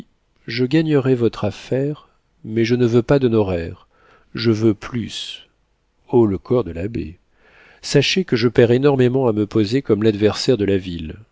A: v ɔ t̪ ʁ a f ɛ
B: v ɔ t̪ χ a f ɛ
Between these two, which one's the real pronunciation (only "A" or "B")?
B